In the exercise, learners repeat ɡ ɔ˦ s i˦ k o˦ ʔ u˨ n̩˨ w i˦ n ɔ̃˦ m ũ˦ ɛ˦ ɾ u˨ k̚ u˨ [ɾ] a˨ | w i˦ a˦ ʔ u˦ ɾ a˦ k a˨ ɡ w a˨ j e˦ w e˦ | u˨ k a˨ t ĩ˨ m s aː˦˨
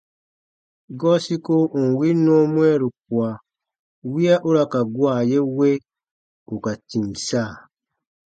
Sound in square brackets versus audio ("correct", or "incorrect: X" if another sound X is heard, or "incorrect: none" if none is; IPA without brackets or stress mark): incorrect: none